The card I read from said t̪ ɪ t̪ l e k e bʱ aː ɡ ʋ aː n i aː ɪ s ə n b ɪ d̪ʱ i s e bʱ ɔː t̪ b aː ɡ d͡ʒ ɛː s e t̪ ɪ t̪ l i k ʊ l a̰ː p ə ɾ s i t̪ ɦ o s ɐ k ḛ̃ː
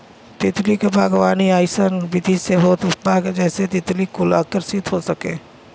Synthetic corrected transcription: t̪ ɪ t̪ l i k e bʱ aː ɡ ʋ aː n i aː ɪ s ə n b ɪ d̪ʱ i s e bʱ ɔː t̪ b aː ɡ d͡ʒ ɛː s e t̪ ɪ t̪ l i k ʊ l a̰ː k ə ɾ s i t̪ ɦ o s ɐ k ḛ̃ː